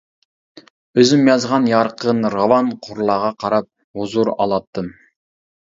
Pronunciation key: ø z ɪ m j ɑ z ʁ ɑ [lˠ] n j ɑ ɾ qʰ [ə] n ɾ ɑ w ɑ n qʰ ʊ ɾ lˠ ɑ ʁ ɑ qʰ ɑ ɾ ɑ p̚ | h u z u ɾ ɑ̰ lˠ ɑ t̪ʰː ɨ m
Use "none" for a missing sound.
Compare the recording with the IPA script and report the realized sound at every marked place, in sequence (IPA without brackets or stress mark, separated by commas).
none, ə